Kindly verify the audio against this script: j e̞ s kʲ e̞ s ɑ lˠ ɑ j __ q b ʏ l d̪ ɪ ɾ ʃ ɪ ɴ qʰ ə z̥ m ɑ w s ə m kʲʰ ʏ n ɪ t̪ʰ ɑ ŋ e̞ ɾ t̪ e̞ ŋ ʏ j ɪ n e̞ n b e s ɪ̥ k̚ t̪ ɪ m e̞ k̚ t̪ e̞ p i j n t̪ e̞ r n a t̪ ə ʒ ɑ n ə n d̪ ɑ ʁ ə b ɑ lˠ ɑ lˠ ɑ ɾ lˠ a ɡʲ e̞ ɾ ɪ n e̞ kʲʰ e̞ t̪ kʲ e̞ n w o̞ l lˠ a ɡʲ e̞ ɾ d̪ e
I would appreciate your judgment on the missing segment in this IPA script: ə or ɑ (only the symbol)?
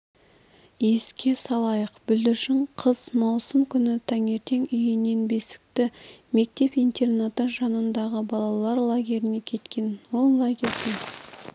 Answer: ə